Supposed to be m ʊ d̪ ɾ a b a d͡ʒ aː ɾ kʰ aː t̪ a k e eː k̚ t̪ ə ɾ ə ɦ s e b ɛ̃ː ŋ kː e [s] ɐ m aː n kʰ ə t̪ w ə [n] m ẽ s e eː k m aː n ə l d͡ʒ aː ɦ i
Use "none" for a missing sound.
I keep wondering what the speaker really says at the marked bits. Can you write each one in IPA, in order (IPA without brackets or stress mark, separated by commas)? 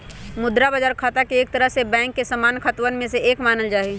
s, n